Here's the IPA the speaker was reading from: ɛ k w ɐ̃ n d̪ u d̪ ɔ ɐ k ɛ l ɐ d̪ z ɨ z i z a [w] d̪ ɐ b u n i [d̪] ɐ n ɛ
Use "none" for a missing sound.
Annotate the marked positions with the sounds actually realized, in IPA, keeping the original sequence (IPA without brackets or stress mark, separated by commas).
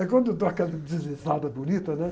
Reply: none, t̪